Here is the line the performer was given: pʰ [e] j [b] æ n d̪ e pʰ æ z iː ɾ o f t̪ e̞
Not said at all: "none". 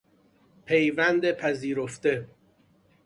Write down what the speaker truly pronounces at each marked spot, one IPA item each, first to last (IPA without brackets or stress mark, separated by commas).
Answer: e, v